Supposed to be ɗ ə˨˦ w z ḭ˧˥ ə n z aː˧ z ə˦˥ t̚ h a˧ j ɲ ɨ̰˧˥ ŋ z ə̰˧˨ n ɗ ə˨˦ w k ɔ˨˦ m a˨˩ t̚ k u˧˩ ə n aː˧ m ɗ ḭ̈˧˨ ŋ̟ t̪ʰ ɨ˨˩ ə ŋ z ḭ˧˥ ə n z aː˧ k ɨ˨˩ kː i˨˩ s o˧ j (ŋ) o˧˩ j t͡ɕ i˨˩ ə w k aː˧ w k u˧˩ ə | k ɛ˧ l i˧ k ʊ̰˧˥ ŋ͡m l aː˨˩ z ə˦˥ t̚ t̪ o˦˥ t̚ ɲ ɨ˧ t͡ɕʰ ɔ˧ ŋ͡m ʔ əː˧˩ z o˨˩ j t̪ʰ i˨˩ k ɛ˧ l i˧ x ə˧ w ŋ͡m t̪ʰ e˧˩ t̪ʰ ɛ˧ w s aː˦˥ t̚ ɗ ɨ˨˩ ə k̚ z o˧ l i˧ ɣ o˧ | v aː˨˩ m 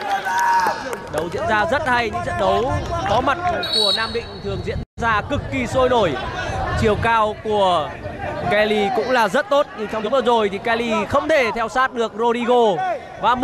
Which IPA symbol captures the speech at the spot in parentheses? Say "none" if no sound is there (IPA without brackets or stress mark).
n